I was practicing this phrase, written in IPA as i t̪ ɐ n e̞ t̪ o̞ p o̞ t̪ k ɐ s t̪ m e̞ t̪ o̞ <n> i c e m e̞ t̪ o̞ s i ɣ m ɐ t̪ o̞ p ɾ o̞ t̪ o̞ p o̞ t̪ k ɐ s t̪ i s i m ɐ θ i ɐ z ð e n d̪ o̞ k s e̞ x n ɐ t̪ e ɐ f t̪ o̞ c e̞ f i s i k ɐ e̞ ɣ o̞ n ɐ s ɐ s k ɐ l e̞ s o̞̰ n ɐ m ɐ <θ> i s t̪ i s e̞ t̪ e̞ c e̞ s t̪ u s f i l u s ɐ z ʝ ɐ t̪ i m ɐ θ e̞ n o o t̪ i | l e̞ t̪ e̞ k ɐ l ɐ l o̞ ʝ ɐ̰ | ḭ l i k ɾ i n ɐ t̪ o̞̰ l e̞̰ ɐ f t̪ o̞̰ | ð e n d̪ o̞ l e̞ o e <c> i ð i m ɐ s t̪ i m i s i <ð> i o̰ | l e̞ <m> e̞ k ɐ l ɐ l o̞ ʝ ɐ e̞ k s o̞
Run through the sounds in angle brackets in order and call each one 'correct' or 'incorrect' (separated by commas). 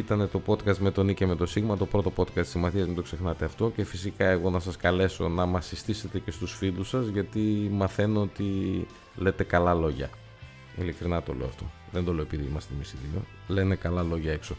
correct, incorrect, incorrect, correct, incorrect